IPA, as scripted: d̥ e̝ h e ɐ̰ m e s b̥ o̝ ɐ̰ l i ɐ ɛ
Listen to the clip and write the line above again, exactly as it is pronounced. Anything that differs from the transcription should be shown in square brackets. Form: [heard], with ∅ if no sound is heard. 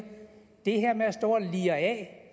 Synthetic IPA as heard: d̥ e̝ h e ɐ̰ m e s [d̥] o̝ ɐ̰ l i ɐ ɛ